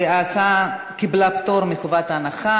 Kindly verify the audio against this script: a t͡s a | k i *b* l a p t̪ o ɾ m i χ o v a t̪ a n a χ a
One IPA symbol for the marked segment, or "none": b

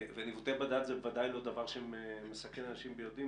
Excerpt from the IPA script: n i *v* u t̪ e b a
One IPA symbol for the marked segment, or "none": v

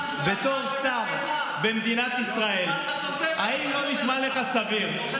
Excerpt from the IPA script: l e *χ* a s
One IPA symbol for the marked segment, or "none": χ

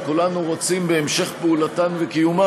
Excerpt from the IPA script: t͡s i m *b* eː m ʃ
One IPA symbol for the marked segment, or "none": b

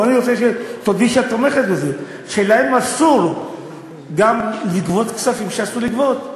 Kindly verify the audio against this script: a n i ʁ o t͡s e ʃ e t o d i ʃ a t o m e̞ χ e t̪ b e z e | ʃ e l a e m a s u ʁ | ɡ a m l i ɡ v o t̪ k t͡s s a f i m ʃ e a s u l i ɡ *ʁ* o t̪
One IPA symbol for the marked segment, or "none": v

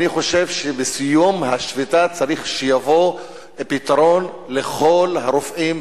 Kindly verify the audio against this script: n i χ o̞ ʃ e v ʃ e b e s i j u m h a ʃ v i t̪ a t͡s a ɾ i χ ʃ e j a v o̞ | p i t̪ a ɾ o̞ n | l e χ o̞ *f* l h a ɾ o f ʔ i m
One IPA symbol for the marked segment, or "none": none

